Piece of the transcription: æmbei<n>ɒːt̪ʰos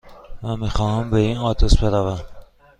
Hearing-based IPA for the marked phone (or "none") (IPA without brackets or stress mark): n